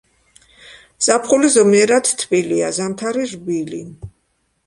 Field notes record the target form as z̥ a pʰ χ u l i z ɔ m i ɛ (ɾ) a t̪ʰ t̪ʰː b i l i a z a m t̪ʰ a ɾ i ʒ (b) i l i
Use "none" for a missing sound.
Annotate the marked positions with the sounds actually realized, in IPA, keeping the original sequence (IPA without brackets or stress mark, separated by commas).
ɾ, b